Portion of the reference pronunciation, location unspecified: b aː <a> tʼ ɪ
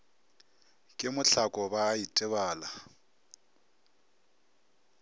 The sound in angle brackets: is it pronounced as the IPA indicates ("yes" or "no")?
no